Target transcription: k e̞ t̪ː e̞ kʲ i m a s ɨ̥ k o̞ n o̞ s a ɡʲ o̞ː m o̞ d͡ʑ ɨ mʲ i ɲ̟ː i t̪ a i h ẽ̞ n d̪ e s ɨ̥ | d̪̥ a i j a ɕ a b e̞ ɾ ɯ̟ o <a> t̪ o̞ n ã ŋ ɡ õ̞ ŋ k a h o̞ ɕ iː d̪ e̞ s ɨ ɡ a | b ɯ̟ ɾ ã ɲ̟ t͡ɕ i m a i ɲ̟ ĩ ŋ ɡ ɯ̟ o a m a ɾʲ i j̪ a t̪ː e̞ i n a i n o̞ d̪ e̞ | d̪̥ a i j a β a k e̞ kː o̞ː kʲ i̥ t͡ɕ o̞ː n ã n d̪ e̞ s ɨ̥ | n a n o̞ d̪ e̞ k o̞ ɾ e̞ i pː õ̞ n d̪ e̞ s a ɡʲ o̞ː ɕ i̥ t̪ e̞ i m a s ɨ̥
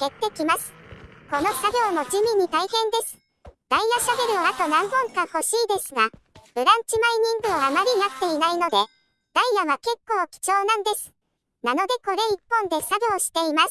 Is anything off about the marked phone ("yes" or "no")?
no